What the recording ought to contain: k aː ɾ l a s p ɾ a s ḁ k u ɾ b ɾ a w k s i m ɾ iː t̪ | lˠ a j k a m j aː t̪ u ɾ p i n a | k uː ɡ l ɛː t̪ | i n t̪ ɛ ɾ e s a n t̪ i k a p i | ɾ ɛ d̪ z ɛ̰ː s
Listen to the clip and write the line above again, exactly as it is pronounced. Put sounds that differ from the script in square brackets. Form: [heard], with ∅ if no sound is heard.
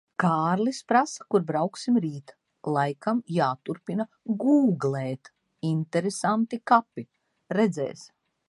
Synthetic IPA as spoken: k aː ɾ l [i] s p ɾ a s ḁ k u ɾ b ɾ a w k s i m ɾ iː t̪ | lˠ a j k a m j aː t̪ u ɾ p i n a | [ɡ] uː ɡ l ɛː t̪ | i n t̪ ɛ ɾ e s a n t̪ i k a p i | ɾ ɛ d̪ z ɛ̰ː s